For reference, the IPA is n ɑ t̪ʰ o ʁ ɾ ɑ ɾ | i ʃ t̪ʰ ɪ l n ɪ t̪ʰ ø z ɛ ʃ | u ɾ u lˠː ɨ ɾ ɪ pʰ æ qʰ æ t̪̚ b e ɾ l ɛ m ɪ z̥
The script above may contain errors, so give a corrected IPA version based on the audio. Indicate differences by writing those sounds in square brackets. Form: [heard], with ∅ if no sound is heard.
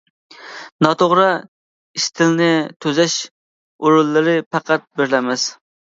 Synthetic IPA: n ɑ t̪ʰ o ʁ ɾ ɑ [∅] | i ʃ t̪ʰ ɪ l n ɪ t̪ʰ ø z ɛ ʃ | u ɾ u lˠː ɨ ɾ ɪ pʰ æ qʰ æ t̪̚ b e ɾ l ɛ m ɪ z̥